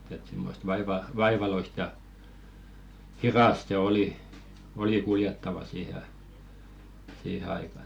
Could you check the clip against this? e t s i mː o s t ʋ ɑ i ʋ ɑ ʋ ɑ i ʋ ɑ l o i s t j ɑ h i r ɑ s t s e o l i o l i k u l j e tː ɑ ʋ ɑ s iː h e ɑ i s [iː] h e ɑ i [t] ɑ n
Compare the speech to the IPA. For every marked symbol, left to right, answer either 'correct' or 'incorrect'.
correct, incorrect: k

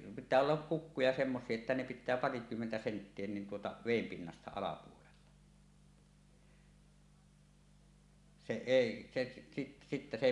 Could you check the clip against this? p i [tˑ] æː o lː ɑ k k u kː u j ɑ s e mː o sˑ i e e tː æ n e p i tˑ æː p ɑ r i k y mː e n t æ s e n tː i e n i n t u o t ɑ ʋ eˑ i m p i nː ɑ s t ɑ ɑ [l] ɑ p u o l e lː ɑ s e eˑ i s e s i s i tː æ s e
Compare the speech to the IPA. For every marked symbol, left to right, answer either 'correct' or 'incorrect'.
correct, correct

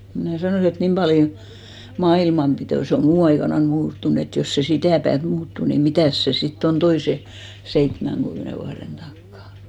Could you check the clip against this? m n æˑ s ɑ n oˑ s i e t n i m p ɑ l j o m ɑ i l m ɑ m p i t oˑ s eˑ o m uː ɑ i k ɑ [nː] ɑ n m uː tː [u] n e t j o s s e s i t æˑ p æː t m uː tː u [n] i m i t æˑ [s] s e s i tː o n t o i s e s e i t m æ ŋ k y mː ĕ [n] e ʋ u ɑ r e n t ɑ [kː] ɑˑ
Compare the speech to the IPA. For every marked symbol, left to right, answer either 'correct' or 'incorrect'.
incorrect: n, correct, correct, correct, correct, correct

